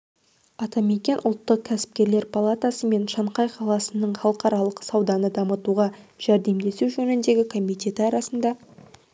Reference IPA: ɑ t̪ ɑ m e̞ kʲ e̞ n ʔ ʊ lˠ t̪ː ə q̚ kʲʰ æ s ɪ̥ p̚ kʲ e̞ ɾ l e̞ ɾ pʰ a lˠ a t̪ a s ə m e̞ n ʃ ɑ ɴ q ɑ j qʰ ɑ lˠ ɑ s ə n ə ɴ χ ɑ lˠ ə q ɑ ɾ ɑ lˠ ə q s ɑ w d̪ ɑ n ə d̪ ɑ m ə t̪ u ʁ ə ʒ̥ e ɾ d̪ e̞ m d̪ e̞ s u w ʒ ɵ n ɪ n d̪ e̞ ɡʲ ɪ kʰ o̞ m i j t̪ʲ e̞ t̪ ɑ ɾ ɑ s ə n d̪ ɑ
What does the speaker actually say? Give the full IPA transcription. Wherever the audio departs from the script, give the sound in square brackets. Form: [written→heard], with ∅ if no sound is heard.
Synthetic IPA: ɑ t̪ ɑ m e̞ kʲ e̞ n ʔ ʊ lˠ t̪ː ə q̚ kʲʰ æ s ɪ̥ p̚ kʲ e̞ ɾ l e̞ ɾ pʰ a lˠ a t̪ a s ə m e̞ n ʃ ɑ ɴ q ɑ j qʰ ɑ lˠ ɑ s ə n ə ɴ χ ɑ lˠ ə q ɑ ɾ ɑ lˠ ə q s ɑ w d̪ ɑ n ə d̪ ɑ m ə t̪ u ʁ [ə→ɑ] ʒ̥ [e→æ] ɾ d̪ e̞ m d̪ e̞ s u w ʒ ɵ n ɪ n d̪ e̞ ɡʲ ɪ kʰ o̞ m i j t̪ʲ e̞ t̪ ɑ ɾ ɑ s ə n d̪ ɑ